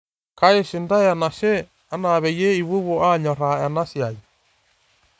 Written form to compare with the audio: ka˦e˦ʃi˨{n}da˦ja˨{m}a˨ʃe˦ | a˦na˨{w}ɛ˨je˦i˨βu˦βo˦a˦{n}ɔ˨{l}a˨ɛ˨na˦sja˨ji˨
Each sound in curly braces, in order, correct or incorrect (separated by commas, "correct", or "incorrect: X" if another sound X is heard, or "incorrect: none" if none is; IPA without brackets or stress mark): correct, incorrect: n, incorrect: β, incorrect: ɲ, incorrect: ɾ